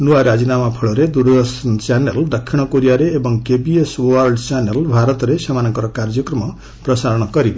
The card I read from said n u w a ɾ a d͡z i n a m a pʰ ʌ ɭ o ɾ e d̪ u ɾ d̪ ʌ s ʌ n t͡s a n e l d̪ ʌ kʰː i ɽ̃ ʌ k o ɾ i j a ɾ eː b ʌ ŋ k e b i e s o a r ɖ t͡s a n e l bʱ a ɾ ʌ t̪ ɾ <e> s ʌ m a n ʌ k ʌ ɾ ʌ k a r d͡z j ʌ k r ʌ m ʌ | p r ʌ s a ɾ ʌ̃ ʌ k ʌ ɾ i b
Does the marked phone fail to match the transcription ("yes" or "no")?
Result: no